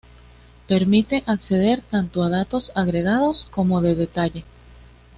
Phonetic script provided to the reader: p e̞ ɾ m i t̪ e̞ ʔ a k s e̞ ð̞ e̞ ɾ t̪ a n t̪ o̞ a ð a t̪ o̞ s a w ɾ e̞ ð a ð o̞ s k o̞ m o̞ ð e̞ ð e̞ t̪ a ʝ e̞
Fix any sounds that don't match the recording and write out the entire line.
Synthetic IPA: p e̞ ɾ m i t̪ e̞ ʔ a k s e̞ ð̞ e̞ ɾ t̪ a n t̪ o̞ a ð a t̪ o̞ s a ɣ ɾ e̞ ɣ a ð o̞ s k o̞ m o̞ ð e̞ ð e̞ t̪ a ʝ e̞